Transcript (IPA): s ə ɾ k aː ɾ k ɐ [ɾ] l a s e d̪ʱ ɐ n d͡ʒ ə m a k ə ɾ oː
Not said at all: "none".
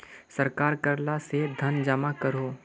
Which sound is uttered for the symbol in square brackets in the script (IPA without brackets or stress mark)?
ɾ